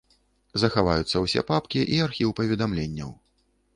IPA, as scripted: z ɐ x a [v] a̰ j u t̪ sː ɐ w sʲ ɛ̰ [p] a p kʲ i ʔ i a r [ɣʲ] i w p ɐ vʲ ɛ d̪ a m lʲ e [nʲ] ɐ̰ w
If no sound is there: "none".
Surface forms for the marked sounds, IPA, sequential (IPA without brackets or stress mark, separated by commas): v, p, xʲ, nʲː